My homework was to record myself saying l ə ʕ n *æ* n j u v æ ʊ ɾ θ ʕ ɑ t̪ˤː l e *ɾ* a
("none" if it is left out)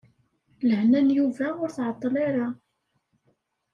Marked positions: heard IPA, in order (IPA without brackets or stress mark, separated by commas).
æ, ɾ